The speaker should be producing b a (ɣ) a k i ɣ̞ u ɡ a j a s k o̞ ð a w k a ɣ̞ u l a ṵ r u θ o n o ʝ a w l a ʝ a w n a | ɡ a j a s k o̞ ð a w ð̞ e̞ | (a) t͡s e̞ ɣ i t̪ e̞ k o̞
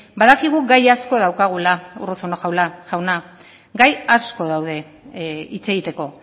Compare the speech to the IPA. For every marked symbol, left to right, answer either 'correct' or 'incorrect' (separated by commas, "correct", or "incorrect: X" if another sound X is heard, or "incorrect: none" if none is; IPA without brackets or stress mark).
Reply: incorrect: ð, incorrect: i